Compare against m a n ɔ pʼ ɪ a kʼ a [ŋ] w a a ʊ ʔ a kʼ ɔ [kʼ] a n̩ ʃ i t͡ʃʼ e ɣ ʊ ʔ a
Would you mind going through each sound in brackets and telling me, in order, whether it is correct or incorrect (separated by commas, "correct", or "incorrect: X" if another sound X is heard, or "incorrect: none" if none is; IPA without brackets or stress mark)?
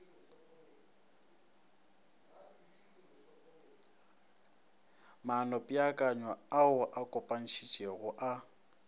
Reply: incorrect: ɲ, incorrect: pʼ